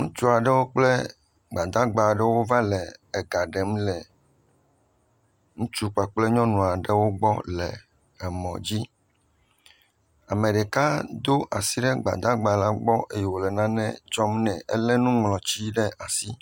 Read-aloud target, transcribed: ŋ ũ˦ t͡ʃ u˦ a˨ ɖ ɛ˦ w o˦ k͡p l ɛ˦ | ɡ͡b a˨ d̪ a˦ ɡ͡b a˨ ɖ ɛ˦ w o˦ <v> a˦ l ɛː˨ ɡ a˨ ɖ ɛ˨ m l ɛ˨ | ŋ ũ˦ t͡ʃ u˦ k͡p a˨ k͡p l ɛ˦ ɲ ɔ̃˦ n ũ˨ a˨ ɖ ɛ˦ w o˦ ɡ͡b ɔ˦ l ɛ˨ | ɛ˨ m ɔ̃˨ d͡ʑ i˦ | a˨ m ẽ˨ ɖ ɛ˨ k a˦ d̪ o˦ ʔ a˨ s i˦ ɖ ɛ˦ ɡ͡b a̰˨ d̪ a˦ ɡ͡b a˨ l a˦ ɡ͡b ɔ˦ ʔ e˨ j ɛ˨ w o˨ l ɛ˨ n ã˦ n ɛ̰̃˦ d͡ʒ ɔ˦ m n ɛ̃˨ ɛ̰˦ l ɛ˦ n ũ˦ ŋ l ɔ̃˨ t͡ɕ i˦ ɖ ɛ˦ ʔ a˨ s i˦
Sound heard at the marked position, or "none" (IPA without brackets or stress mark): v